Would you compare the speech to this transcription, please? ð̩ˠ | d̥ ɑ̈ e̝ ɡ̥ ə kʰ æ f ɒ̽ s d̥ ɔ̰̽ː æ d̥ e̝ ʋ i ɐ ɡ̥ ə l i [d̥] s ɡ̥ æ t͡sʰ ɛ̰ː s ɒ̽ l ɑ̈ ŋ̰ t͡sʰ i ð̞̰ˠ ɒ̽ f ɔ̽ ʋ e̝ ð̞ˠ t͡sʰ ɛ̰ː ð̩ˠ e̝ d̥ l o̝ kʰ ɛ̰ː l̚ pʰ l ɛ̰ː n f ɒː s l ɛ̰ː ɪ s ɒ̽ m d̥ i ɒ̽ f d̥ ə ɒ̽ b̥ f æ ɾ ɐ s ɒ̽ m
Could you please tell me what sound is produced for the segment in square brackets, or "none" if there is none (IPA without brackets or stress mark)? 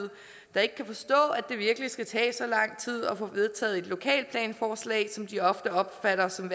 none